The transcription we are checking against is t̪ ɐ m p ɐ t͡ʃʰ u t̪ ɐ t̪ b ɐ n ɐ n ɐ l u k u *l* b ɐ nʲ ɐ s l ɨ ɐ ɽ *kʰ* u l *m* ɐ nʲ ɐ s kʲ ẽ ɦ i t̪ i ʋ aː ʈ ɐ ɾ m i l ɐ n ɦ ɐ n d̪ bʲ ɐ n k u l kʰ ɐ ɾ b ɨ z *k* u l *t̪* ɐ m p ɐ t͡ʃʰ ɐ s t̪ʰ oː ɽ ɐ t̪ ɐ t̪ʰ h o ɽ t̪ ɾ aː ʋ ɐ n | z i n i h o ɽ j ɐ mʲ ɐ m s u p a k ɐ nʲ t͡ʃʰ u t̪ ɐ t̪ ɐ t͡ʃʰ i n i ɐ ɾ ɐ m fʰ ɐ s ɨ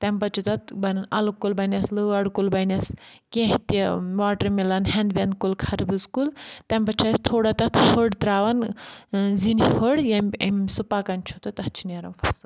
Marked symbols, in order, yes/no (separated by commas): yes, no, no, yes, yes